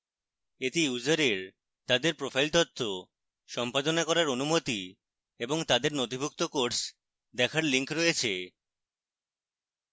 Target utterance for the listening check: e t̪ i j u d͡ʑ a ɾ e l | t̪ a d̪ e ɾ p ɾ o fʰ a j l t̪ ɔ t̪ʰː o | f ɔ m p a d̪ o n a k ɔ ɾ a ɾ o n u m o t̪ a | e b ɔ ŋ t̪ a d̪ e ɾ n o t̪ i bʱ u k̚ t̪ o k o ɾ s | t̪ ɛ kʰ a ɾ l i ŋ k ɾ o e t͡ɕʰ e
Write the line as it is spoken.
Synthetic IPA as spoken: e t̪ i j u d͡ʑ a ɾ e ɾ | t̪ a d̪ e ɾ p ɾ o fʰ a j l t̪ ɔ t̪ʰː o | ʃ ɔ m p a d̪ o n a k ɔ ɾ a ɾ o n u m o t̪ i | e b o ŋ t̪ a d̪ e ɾ n o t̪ i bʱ u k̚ t̪ o k o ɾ s | d̪ ɛ kʰ a ɾ l i ŋ k ɾ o e t͡ɕʰ e